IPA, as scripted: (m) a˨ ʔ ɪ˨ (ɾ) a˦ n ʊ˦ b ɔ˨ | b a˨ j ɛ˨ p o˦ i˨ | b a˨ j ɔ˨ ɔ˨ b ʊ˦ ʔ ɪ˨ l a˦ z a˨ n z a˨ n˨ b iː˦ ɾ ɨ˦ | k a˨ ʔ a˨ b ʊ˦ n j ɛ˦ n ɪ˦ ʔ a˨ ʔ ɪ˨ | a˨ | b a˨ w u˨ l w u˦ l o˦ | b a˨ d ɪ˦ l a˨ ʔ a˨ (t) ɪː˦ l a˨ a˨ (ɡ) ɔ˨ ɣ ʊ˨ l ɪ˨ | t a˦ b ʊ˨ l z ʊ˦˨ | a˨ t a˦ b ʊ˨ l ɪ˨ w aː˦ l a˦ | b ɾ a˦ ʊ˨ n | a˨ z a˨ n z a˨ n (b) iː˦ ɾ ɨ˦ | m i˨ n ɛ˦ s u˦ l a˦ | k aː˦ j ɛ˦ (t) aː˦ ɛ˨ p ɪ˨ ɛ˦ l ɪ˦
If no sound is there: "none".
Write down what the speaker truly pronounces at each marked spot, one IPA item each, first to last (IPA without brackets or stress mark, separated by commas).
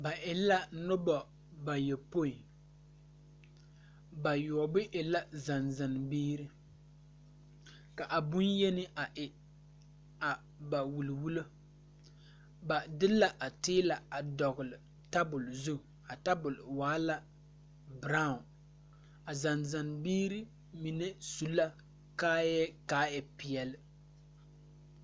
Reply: b, l, t, d, b, k